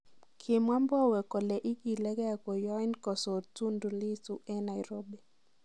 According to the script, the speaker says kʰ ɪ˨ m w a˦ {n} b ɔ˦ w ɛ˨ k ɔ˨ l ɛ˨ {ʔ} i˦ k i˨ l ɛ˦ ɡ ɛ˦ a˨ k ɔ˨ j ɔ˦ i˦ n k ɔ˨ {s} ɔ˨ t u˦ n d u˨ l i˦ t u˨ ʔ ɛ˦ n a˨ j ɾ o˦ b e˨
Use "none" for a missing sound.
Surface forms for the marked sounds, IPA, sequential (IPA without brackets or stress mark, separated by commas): m, ʔ, s